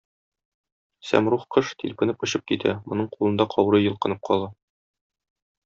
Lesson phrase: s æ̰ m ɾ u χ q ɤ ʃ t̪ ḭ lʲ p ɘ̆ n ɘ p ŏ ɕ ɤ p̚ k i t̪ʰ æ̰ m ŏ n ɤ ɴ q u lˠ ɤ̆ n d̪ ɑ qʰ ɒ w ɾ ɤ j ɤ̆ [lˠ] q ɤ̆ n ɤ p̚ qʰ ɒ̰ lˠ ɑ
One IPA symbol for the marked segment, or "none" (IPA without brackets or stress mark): lˠ